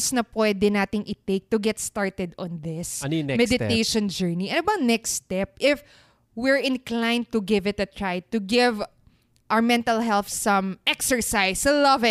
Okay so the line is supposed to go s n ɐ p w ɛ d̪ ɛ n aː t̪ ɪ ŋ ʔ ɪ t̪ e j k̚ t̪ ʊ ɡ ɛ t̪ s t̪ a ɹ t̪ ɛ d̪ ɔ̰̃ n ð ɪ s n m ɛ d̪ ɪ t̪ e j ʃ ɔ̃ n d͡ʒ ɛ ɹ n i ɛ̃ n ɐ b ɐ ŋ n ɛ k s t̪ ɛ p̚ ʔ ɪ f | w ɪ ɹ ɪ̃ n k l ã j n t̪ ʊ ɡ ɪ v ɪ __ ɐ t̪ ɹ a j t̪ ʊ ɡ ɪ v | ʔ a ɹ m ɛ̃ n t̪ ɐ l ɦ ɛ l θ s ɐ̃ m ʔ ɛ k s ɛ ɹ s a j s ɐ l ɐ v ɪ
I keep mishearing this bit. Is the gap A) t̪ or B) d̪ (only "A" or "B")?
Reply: A